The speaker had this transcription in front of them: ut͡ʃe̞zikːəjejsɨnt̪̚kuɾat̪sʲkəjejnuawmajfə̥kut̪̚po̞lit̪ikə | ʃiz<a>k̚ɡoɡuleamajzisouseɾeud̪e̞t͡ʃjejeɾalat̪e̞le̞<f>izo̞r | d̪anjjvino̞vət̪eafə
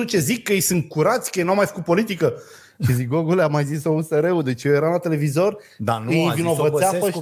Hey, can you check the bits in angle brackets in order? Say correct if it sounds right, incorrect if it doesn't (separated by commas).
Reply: incorrect, incorrect